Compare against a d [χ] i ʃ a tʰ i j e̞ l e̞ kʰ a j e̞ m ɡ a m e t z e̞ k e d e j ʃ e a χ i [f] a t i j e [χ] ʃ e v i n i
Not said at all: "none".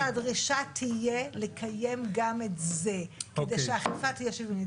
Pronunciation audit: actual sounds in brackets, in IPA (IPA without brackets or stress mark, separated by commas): ʁ, f, none